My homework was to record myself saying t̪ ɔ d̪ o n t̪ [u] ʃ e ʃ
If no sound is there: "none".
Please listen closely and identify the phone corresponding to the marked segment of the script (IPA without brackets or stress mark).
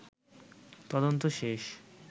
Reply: o